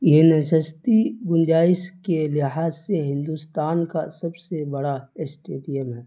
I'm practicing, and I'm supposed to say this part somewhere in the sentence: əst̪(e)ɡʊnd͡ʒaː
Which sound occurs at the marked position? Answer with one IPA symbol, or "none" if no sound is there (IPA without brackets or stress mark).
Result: i